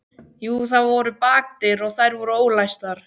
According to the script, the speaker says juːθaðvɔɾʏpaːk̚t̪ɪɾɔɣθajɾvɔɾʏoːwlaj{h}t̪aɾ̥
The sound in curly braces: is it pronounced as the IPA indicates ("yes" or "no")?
no